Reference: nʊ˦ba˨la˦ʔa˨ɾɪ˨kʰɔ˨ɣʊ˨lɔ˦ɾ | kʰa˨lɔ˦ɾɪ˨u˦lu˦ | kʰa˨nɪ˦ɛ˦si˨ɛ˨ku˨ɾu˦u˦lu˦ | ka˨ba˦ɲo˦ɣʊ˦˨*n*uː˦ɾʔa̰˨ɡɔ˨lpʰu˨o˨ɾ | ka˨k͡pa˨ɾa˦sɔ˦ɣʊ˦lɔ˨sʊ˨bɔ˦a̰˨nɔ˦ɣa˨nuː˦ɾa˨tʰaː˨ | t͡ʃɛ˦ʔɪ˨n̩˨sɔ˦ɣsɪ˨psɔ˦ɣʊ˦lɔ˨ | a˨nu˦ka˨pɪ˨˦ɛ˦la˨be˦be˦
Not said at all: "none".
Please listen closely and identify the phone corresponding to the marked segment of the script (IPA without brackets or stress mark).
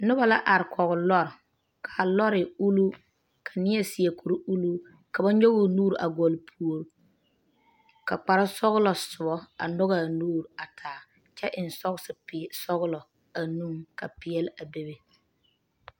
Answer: n